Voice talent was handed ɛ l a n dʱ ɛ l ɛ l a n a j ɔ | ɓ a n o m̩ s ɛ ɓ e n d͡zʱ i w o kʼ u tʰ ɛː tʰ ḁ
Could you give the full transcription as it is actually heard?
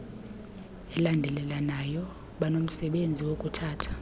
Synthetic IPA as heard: ɛ l a n dʱ ɛ l ɛ l a n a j ɔ | ɓ a n o m̩ s ɛ ɓ e n d͡zʱ i w o kʼ u tʰ aː tʰ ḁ